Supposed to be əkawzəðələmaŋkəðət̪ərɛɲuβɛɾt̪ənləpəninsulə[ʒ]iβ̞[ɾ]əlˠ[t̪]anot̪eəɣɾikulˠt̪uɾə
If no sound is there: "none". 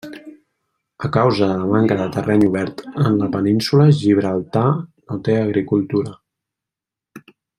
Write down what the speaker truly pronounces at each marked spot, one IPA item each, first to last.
ʒ, ɾ, t̪

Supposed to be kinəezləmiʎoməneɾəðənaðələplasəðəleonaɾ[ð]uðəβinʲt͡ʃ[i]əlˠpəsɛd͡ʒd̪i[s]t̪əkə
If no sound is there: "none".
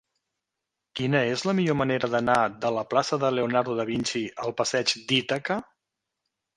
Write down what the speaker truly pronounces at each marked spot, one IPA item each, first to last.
ð, i, none

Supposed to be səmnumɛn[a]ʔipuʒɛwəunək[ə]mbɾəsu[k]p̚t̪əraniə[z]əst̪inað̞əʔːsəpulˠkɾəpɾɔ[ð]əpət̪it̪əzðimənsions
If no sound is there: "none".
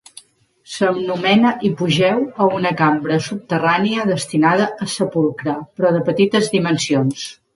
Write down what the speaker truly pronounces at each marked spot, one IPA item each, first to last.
ə, a, none, ð, ð

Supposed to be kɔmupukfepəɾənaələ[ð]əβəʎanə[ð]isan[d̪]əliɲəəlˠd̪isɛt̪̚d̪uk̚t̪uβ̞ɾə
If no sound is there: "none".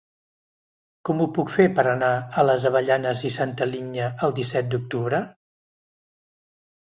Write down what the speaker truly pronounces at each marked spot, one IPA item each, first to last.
z, z, t̪

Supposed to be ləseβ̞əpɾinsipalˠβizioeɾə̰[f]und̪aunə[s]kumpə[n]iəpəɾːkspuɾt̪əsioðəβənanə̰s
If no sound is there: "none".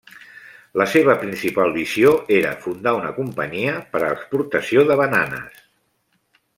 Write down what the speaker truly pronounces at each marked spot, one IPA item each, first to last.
f, none, ɲ

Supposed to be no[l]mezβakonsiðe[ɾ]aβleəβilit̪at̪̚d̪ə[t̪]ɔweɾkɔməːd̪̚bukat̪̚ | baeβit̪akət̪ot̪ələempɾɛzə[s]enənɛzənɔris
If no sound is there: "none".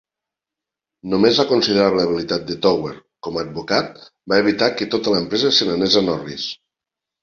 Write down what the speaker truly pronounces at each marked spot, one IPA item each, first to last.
none, ɾ, t̪, s

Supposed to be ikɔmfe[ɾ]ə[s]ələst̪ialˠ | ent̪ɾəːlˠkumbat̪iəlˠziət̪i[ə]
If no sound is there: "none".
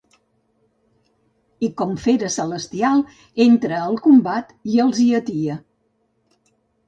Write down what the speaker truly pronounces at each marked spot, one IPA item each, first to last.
ɾ, s, ə

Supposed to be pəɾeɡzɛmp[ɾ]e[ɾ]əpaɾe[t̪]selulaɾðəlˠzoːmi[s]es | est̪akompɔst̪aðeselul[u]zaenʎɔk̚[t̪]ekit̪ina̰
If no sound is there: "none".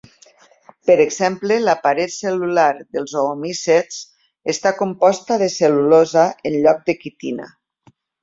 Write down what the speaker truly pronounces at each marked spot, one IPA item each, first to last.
l, l, t̪, s, o, d̪

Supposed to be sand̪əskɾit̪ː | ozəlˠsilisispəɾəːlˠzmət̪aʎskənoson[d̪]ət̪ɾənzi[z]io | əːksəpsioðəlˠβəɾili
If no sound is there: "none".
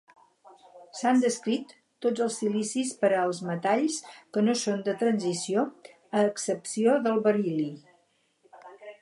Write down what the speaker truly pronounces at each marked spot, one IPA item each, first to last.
d̪, s

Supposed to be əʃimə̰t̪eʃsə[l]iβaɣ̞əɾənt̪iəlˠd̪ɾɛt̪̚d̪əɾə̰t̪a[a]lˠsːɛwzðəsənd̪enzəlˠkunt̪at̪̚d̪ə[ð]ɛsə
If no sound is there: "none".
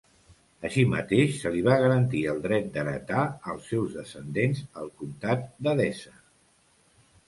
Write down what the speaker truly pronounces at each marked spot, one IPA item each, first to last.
l, ə, ð

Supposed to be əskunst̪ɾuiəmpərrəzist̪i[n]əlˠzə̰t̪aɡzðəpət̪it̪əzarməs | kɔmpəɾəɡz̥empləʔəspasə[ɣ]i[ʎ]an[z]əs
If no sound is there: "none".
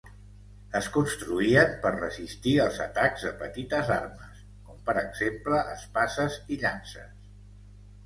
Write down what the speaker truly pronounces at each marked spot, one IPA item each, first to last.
none, z, ʎ, s

